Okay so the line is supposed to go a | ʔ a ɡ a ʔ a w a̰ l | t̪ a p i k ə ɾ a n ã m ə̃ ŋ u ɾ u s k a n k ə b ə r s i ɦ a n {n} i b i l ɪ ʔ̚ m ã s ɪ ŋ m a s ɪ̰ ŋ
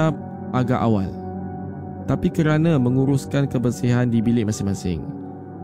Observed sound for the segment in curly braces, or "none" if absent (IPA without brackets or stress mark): d